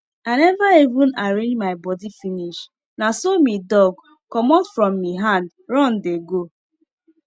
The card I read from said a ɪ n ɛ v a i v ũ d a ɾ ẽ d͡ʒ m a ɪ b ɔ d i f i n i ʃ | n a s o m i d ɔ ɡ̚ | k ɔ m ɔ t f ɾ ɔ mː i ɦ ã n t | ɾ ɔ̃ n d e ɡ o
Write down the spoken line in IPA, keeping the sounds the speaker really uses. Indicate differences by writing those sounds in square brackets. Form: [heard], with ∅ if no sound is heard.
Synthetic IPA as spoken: a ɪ n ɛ v a i v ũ [n] a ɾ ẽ d͡ʒ m a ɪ b ɔ d i f i n i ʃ | n a s o m i d ɔ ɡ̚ | k ɔ m ɔ t f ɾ ɔ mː i ɦ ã n [d] | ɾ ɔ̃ n d e ɡ o